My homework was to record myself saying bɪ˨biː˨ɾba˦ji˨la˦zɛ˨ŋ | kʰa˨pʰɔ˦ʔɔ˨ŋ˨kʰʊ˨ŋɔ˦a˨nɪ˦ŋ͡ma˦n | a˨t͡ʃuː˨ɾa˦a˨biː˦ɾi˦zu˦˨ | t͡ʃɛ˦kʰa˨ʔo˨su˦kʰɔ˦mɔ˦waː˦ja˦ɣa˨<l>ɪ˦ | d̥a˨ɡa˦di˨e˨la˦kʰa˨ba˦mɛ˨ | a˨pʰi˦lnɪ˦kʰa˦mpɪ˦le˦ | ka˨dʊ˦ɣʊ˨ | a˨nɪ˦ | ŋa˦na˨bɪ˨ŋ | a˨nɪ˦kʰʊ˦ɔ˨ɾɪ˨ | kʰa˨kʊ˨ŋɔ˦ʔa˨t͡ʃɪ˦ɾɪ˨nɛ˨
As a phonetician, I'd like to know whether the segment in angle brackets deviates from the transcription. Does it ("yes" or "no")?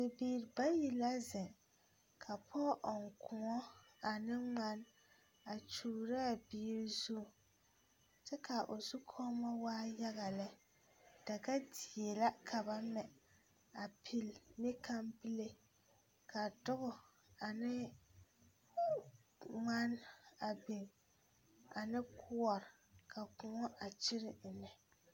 no